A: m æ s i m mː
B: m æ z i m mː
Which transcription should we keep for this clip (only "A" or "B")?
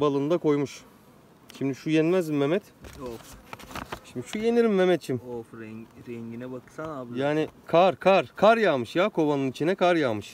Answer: B